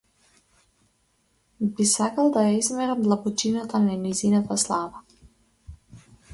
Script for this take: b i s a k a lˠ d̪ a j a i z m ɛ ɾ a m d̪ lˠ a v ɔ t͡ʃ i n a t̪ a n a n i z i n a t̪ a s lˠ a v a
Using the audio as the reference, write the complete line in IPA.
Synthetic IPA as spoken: b i s a k a lˠ d̪ a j a i z m ɛ ɾ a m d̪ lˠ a b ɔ t͡ʃ i n a t̪ a n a n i z i n a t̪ a s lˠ a v a

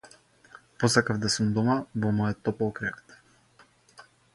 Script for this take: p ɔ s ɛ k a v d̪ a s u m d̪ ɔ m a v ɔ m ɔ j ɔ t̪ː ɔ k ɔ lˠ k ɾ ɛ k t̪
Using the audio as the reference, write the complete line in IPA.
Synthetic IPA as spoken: p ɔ s a k a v d̪ a s u m d̪ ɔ m a v ɔ m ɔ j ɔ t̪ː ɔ p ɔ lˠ k ɾ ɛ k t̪

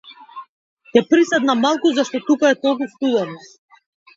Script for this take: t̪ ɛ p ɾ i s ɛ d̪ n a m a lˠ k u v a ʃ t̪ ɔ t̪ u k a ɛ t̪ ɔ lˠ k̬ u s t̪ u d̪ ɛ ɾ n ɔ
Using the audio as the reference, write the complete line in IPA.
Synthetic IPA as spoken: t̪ ɛ p ɾ i s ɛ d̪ n a m a lˠ k u z a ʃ t̪ ɔ t̪ u k a ɛ t̪ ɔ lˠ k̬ u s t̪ u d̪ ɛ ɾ n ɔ

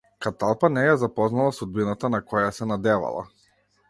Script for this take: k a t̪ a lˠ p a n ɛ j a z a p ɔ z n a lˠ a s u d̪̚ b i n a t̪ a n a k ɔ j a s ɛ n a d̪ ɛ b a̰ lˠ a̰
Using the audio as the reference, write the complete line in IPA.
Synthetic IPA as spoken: k a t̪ a lˠ p a n ɛ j a z a p ɔ z n a lˠ a s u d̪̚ b i n a t̪ a n a k ɔ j a s ɛ n a d̪ ɛ v a̰ lˠ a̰

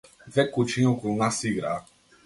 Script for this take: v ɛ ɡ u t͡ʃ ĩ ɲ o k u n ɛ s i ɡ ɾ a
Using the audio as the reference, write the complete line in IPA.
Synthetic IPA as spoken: v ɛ k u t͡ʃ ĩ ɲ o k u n a s i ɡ ɾ a

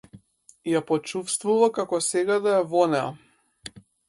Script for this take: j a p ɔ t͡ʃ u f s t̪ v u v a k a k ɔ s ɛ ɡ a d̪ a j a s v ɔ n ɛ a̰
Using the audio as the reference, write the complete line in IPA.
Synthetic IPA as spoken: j a p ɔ t͡ʃ u f s t̪ v u v a k a k ɔ s ɛ ɡ a d̪ a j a v ɔ n ɛ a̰

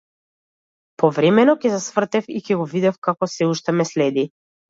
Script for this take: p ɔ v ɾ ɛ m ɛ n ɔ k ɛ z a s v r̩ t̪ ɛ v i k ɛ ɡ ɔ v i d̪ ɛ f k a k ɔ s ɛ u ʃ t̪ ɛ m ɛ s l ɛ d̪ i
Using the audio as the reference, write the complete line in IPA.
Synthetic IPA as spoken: p ɔ v ɾ ɛ m ɛ n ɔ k ɛ z a s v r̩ t̪ ɛ f i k ɛ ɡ ɔ v i d̪ ɛ f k a k ɔ s ɛ u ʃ t̪ ɛ m ɛ s l ɛ d̪ i

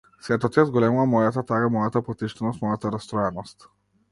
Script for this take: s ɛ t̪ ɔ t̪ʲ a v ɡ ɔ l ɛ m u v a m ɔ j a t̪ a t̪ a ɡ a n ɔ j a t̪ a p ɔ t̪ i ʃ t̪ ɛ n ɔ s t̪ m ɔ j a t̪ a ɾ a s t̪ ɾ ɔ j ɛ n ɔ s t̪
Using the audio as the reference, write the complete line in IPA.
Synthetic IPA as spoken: s ɛ t̪ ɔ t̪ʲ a z ɡ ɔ l ɛ m u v a m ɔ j a t̪ a t̪ a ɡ a m ɔ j a t̪ a p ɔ t̪ i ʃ t̪ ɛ n ɔ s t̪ m ɔ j a t̪ a ɾ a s t̪ ɾ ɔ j ɛ n ɔ s t̪

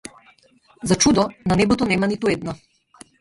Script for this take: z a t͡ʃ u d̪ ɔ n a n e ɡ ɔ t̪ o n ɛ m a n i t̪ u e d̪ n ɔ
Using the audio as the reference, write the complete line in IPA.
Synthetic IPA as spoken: z a t͡ʃ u d̪ ɔ n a n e b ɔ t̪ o n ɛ m a n i t̪ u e d̪ n ɔ

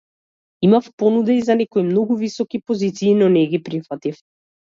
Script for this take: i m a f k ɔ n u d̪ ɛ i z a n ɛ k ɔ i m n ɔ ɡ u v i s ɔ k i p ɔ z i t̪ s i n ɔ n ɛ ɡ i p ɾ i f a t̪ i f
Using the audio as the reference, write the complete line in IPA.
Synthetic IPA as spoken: i m a f p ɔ n u d̪ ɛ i z a n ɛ k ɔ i m n ɔ ɡ u v i s ɔ k i p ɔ z i t̪ s iː n ɔ n ɛ ɡ i p ɾ i f a t̪ i f

